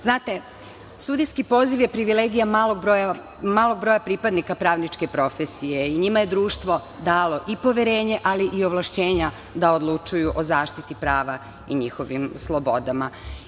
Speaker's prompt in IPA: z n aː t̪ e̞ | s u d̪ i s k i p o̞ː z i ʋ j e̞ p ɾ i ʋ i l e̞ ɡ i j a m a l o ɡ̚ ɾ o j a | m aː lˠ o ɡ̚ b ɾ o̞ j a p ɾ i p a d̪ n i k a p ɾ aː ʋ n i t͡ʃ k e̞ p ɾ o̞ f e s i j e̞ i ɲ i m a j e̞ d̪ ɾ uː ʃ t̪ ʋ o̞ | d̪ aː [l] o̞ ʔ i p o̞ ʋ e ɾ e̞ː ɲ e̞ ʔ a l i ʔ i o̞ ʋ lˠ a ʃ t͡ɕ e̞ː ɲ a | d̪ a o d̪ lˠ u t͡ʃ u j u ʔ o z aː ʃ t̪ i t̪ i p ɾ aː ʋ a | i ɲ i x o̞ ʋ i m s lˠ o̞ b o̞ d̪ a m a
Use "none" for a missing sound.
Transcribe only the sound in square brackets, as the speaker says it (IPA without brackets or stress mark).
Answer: l